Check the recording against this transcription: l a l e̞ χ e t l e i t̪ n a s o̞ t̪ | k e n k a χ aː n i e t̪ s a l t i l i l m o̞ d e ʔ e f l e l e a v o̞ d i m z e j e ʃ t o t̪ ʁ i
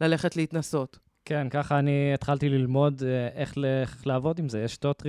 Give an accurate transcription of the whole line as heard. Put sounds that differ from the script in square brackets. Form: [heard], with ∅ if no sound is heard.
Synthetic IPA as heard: l a l e̞ χ e t l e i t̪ n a s o̞ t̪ | k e n k a χ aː n i e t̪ [χ] a l t i l i l m o̞ d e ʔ e [χ] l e l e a v o̞ d i m z e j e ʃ t o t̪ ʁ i